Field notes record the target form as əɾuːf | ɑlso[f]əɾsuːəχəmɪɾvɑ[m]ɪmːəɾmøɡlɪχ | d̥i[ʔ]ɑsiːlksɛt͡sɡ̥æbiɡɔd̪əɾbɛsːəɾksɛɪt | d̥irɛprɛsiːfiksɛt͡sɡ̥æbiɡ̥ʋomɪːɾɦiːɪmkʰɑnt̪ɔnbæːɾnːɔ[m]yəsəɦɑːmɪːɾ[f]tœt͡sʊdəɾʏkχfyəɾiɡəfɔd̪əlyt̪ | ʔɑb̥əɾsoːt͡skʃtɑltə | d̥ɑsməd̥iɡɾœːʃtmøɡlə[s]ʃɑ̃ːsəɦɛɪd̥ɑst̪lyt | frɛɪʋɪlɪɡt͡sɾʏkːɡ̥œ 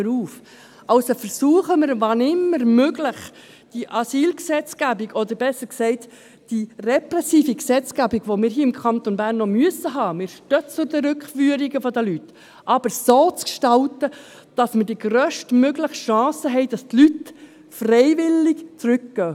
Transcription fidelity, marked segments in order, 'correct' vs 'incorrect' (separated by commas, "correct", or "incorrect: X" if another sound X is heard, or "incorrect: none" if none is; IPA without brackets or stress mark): correct, incorrect: n, correct, correct, incorrect: ʃ, incorrect: χ